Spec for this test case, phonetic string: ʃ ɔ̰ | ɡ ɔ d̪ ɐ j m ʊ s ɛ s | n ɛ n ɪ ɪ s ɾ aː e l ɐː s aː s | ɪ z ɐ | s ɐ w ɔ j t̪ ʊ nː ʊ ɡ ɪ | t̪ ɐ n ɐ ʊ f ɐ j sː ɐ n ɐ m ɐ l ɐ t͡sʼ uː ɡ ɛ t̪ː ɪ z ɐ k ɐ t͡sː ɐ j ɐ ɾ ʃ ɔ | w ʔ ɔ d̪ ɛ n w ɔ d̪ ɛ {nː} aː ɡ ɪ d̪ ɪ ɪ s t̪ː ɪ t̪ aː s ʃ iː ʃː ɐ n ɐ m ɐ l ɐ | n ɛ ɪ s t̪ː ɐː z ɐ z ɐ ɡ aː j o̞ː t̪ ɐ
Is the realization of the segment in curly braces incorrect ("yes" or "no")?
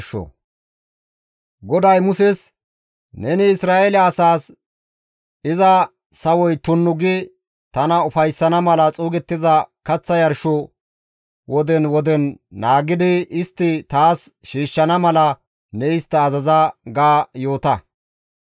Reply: no